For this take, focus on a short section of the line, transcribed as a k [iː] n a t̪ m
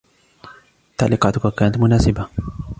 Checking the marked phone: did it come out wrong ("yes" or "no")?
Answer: yes